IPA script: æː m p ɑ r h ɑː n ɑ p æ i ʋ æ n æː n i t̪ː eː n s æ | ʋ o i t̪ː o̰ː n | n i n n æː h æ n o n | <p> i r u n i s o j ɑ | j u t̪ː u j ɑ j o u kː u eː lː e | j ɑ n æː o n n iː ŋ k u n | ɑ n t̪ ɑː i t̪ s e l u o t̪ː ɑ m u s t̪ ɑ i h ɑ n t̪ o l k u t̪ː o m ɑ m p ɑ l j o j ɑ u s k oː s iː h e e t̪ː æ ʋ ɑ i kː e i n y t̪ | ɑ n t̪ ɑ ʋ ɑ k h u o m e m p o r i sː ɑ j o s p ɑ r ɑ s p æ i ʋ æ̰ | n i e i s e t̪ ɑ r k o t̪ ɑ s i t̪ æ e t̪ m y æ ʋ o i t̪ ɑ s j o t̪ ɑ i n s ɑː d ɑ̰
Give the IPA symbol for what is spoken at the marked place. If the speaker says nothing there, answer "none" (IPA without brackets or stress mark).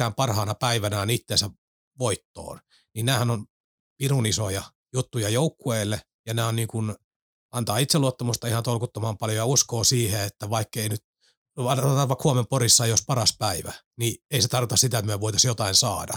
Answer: p